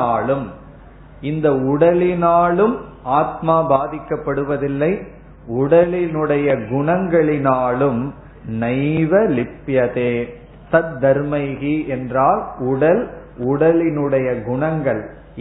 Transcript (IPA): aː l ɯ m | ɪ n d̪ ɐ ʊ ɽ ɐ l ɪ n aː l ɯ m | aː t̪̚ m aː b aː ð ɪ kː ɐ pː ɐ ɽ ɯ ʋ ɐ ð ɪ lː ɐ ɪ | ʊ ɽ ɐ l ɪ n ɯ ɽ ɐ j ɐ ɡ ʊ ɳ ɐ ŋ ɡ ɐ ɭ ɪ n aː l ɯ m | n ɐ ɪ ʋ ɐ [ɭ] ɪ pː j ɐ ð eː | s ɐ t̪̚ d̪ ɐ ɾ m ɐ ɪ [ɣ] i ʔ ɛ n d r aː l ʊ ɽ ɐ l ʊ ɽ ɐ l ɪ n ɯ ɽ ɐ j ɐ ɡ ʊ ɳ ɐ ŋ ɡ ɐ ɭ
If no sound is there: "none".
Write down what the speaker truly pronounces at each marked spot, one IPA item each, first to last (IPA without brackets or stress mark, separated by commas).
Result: l, ɣ